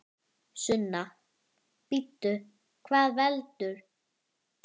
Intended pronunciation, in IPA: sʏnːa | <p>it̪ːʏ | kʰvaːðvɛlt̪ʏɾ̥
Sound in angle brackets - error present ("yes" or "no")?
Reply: no